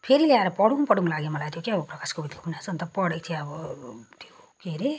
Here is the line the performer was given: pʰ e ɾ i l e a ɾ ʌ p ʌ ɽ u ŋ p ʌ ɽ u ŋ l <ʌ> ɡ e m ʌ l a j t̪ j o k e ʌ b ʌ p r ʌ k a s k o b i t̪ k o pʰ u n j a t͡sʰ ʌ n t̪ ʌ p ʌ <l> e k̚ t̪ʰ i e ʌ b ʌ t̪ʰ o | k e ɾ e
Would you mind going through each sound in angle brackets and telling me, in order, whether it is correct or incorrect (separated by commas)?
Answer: incorrect, incorrect